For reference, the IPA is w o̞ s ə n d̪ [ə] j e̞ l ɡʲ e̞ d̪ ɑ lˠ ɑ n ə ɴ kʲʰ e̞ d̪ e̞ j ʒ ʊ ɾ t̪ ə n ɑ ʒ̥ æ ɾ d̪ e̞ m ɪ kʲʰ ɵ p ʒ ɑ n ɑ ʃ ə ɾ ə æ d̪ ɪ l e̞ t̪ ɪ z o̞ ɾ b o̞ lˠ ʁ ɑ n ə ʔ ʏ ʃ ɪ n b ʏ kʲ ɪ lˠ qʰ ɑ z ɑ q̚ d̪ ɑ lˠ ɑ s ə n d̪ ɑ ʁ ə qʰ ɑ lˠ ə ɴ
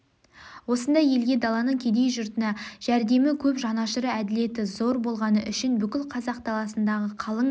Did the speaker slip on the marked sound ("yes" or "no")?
yes